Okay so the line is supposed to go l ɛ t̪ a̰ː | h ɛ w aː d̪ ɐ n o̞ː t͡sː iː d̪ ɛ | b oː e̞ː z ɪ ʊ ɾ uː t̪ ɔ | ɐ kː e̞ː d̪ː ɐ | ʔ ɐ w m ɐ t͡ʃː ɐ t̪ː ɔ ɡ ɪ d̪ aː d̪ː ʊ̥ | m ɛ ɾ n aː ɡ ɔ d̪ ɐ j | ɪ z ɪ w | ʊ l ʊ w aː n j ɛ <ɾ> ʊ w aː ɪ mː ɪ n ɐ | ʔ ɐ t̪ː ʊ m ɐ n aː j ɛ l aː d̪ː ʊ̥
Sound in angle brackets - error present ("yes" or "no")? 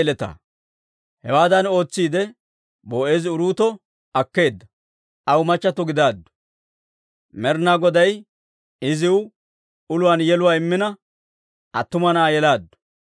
yes